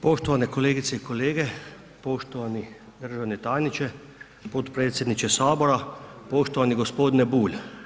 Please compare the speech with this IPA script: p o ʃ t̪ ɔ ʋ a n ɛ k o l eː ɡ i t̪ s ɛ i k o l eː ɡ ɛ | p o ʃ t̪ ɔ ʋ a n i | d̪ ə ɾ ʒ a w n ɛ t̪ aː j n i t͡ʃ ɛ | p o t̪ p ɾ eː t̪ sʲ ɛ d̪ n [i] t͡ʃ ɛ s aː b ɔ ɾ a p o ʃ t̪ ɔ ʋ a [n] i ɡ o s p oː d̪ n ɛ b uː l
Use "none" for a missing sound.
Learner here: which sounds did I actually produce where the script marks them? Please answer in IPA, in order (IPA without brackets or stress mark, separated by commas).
i, n